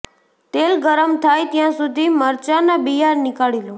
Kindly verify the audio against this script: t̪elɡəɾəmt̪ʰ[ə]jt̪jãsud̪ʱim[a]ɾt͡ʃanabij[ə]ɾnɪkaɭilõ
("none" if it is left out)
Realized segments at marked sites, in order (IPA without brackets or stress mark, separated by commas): a, ə, a